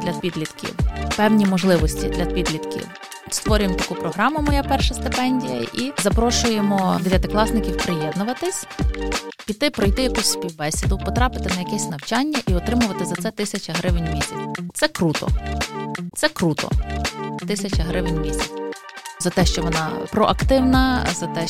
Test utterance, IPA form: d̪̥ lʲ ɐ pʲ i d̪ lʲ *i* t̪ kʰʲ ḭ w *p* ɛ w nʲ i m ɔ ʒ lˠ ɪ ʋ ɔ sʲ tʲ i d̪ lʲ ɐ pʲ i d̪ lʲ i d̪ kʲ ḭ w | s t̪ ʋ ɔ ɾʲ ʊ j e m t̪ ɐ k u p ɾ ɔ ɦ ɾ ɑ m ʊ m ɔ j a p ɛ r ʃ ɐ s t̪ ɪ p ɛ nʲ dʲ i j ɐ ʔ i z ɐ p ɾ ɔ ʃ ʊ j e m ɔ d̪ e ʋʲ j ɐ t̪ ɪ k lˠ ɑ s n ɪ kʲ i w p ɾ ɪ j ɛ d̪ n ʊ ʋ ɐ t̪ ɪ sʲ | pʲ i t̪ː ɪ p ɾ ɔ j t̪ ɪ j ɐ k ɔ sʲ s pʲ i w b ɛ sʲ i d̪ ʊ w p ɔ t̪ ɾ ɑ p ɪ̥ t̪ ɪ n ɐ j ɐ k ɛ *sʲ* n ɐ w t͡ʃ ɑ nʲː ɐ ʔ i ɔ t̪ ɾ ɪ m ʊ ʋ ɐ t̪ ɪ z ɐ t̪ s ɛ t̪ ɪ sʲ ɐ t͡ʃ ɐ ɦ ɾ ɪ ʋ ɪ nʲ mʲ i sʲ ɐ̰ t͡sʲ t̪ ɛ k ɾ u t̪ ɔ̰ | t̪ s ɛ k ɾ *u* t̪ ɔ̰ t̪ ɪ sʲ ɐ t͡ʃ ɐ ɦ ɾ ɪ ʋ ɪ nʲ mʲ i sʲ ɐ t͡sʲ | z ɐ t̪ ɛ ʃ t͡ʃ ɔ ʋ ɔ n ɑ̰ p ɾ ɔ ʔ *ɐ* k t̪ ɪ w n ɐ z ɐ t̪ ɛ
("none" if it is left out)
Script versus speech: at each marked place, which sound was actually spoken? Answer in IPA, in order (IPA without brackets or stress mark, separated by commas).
i, p, sʲ, u, ɐ